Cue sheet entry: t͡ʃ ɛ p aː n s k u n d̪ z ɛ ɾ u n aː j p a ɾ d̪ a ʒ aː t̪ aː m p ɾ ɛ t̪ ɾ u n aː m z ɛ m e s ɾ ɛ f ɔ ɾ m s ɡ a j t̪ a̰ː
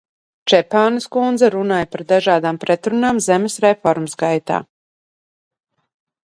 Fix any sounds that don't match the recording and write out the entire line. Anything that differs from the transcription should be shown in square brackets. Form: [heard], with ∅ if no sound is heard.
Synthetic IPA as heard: t͡ʃ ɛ p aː n s k u n d̪ z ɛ ɾ u n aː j p a ɾ d̪ a ʒ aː [d̪] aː m p ɾ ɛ t̪ ɾ u n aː m z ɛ m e s ɾ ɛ f ɔ ɾ m s ɡ a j t̪ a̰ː